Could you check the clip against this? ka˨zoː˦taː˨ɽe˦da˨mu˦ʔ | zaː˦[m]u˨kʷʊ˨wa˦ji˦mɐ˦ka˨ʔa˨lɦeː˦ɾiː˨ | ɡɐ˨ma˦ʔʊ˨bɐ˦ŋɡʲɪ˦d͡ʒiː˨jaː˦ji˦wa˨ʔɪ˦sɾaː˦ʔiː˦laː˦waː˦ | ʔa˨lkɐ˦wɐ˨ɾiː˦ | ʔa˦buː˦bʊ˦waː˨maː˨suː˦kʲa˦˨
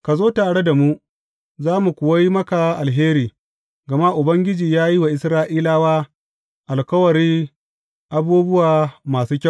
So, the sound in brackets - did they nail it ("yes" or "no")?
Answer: yes